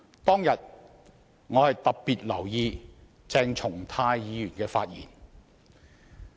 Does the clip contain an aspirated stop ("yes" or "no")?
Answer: yes